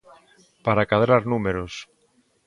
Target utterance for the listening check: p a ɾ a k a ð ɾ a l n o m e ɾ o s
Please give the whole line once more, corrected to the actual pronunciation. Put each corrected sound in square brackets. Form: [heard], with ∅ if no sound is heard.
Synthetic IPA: p a ɾ a k a ð ɾ a [ɾ] n [u] m e ɾ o s